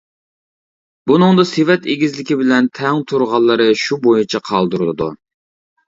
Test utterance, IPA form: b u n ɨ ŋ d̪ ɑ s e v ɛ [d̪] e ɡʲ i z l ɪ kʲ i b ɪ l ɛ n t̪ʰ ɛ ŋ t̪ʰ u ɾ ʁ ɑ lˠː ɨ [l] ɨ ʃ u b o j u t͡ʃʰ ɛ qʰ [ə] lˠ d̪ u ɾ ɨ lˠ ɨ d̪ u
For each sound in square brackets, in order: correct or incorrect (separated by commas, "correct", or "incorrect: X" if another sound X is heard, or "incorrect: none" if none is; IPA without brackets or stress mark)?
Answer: incorrect: t̪, incorrect: ɾ, incorrect: ɑ